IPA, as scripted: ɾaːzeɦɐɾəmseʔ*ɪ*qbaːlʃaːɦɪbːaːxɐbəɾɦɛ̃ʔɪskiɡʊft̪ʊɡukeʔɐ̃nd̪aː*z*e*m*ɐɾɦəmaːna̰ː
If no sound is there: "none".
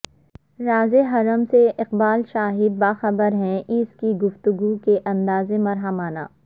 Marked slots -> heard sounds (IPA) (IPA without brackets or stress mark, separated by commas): ɪ, z, m